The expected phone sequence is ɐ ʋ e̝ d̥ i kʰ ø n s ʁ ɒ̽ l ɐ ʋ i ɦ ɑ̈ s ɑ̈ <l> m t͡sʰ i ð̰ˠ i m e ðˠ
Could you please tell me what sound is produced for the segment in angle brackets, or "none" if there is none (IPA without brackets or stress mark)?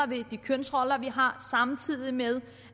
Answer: none